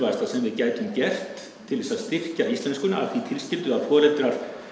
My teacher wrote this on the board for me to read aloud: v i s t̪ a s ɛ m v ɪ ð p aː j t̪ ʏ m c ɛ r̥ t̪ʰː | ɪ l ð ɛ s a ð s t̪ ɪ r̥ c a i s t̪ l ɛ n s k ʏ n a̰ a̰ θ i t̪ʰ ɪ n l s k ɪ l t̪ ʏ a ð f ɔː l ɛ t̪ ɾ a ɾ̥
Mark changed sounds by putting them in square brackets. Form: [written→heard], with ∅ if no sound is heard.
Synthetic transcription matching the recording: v [i→a] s t̪ a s ɛ m v ɪ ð [p→c] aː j t̪ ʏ m c ɛ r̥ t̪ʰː | ɪ l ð ɛ s a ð s t̪ ɪ r̥ c a i s t̪ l ɛ n s k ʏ n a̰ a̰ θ i t̪ʰ ɪ [n→∅] l s [k→c] ɪ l t̪ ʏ a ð f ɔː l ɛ t̪ ɾ a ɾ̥